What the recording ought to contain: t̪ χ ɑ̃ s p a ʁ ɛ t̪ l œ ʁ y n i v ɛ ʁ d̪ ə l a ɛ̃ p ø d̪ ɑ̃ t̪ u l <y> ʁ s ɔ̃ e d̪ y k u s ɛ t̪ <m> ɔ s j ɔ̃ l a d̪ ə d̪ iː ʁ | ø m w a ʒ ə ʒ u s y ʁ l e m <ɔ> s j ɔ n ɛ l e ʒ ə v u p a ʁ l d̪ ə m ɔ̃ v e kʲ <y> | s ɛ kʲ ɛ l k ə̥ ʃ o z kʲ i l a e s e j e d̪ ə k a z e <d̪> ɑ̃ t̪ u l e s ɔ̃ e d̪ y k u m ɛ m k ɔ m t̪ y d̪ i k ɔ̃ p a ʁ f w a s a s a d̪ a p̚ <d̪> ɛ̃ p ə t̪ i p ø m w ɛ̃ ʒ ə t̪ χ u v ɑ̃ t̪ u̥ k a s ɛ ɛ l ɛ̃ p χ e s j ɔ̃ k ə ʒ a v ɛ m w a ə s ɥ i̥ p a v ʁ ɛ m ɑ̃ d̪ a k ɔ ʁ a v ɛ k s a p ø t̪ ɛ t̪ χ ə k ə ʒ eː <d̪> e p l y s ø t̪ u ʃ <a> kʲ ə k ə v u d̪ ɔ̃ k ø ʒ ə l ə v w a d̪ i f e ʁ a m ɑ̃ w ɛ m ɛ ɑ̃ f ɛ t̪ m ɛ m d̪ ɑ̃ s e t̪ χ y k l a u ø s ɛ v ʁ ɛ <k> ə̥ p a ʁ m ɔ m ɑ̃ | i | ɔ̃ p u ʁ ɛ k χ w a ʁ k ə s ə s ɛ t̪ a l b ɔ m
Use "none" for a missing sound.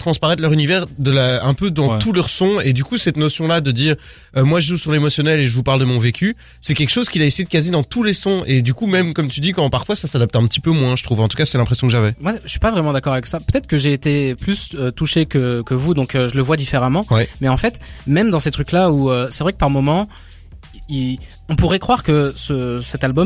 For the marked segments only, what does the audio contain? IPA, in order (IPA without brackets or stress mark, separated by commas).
œ, n, ɔ, y, d̪, t̪, t̪, e, k